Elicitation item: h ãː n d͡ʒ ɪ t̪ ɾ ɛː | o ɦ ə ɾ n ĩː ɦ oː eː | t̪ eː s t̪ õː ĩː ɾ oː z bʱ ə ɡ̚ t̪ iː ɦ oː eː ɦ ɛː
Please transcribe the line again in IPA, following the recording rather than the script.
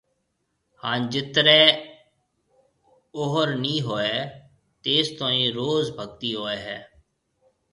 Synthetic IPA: h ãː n d͡ʒ ɪ t̪ ɾ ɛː | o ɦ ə ɾ n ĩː ɦ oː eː | t̪ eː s t̪ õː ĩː ɾ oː z bʱ ə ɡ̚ t̪ iː ɦ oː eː ɦ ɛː